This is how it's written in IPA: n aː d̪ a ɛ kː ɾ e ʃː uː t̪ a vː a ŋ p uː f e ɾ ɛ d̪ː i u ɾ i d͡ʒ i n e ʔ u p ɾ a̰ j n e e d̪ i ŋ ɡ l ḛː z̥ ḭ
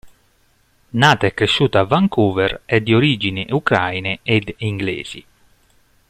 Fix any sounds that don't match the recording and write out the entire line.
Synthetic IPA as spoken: n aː t̪ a ɛ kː ɾ e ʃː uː t̪ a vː a ŋ k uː v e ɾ ɛ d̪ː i o ɾ i d͡ʒ i n i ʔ u k ɾ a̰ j n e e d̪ i ŋ ɡ l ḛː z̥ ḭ